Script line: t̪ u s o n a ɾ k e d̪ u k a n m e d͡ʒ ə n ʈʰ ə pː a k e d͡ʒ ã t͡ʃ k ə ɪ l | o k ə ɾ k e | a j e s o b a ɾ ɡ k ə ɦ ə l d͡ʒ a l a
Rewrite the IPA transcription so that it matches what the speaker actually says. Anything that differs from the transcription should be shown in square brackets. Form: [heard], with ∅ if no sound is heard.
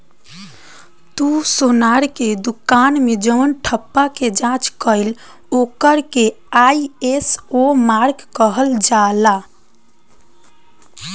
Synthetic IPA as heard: t̪ u s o n a ɾ k e d̪ u k a n m e d͡ʒ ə n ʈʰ ə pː a k e d͡ʒ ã t͡ʃ k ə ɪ l | o k ə ɾ k e | a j e s o [m] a ɾ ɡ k ə ɦ ə l d͡ʒ a l a